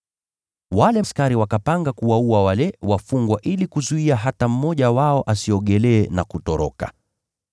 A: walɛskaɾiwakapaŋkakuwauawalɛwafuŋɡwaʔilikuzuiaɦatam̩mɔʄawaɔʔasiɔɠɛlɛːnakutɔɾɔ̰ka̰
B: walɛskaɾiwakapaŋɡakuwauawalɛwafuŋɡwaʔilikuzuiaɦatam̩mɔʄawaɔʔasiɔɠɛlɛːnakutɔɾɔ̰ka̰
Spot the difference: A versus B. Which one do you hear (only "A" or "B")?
B